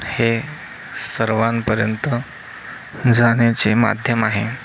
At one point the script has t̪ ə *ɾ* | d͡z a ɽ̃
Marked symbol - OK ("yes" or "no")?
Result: no